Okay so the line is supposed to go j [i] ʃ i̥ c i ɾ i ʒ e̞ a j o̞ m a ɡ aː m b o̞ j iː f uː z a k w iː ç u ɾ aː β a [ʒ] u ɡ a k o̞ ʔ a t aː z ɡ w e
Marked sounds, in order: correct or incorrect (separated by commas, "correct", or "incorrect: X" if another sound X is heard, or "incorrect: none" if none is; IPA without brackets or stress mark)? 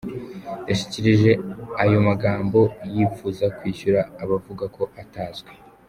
incorrect: a, incorrect: v